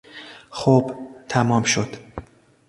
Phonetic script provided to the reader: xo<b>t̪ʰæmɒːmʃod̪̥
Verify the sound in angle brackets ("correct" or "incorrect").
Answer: correct